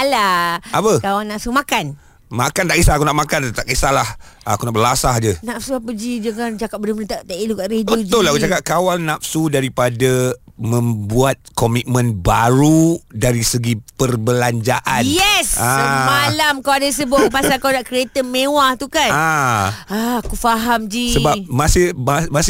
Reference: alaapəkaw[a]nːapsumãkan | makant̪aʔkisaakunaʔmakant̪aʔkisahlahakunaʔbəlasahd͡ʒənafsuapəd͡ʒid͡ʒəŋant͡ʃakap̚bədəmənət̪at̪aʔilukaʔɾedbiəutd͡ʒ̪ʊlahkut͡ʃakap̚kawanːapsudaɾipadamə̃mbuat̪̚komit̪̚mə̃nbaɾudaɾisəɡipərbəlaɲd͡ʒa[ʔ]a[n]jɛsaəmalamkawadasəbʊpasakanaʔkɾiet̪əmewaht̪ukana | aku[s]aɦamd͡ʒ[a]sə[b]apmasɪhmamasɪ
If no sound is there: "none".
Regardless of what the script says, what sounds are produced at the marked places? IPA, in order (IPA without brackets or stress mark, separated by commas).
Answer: a, ʔ, n, f, i, b